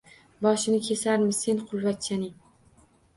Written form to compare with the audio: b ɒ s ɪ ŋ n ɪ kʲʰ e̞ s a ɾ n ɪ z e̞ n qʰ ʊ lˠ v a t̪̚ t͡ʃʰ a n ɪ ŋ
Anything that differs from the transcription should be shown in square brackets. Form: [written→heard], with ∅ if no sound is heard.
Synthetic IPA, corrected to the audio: b ɒ [s→ʃ] ɪ [ŋ→∅] n ɪ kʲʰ e̞ s a ɾ [n→m] ɪ [z→s] e̞ n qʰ ʊ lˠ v a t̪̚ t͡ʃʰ a n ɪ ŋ